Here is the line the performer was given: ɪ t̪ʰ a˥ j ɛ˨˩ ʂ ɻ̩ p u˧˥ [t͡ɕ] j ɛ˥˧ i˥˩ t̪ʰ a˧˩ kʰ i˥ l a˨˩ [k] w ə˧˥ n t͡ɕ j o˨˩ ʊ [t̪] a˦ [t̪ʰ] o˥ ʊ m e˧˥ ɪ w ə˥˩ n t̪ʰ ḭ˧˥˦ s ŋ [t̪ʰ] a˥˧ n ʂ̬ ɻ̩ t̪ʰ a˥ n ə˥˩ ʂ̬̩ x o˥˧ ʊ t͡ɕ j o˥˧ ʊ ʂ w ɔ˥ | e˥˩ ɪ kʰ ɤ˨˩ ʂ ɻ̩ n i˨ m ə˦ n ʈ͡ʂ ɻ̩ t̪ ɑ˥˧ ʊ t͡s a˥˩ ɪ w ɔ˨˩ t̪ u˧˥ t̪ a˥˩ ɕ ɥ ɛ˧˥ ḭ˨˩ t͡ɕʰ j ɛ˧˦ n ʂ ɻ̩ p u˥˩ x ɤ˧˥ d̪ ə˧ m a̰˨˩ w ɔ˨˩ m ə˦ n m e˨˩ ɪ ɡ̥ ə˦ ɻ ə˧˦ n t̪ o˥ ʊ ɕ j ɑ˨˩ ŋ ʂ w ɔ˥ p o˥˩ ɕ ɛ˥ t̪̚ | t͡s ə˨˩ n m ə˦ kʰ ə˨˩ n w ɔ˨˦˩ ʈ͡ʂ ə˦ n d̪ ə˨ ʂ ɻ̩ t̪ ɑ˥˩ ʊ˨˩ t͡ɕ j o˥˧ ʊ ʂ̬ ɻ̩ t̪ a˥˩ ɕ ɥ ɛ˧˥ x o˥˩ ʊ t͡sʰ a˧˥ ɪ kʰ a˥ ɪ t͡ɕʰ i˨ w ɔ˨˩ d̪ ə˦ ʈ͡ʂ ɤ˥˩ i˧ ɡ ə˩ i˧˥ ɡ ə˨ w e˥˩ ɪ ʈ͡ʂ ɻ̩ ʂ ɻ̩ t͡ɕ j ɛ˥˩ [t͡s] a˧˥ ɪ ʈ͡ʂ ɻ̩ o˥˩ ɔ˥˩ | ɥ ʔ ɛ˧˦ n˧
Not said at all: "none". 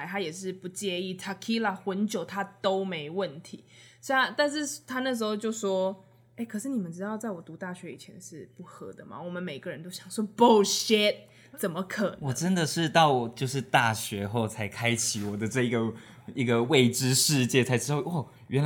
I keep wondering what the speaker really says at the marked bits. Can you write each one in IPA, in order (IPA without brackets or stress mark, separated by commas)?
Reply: t͡ɕ, x, t̪ʰ, t̪, t̪, t͡sʰ